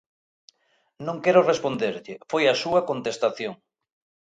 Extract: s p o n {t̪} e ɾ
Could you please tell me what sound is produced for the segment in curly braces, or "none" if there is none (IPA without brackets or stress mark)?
d̪